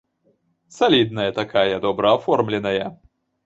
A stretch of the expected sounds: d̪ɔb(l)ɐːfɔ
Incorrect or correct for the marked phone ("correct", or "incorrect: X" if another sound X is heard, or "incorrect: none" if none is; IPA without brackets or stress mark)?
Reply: incorrect: ɾ